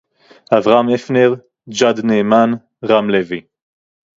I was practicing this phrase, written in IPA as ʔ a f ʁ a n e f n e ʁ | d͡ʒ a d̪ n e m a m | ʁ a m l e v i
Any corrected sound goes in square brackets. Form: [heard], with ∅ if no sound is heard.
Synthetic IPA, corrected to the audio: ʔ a [v] ʁ a [m] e f n e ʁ | d͡ʒ a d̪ n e m a [n] | ʁ a m l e v i